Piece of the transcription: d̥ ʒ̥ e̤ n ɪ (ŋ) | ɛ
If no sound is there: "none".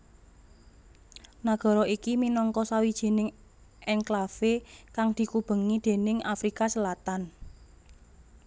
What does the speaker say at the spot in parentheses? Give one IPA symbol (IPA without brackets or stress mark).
ŋ